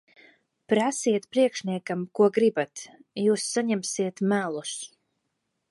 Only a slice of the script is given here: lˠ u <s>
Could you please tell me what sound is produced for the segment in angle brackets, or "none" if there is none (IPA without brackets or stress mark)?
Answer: s